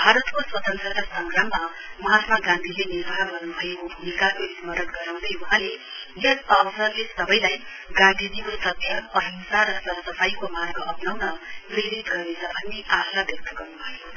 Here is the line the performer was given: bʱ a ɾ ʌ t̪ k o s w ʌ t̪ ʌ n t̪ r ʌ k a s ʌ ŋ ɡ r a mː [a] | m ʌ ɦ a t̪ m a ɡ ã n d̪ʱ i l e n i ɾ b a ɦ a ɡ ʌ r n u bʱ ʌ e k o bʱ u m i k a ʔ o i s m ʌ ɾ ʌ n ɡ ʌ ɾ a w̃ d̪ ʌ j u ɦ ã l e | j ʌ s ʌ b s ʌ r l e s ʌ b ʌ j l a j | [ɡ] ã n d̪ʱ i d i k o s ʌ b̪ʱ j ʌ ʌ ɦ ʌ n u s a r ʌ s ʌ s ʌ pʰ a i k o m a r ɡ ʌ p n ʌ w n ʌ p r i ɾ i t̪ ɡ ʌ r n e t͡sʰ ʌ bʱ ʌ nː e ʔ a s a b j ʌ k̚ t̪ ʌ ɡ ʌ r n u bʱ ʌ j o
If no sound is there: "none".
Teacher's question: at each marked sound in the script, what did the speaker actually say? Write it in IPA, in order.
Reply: a, ɡ

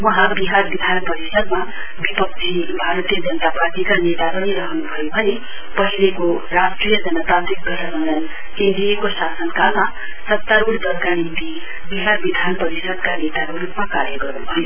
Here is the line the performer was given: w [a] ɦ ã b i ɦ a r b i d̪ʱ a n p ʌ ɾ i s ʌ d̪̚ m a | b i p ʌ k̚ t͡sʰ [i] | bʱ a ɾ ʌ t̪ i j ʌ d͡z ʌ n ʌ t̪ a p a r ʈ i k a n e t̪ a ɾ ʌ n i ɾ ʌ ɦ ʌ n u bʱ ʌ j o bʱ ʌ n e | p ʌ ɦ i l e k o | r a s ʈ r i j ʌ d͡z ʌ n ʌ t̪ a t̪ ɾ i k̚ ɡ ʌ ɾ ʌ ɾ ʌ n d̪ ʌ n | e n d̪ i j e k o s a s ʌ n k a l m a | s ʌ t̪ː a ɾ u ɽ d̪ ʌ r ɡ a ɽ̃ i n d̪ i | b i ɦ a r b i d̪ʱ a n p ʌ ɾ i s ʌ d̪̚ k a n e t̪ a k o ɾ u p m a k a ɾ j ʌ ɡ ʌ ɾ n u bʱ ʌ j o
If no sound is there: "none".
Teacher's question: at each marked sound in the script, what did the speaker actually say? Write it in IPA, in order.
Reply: ʌ, i

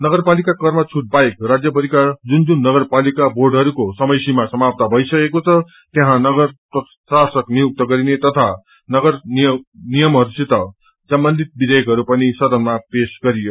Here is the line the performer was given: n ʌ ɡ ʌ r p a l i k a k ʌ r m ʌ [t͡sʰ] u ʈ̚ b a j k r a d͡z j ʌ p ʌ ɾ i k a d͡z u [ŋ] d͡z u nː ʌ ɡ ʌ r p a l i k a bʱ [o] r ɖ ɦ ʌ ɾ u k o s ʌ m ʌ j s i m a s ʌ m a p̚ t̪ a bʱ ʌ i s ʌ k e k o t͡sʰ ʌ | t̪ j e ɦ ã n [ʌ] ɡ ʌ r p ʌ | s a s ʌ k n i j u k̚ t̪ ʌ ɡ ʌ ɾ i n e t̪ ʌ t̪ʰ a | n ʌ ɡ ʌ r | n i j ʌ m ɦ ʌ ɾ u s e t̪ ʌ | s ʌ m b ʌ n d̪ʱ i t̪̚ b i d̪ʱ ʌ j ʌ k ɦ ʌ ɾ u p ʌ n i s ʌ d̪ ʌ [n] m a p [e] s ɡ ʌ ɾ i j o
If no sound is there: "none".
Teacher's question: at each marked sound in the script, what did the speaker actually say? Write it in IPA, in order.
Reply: t͡sʰ, n, o, ʌ, n, e

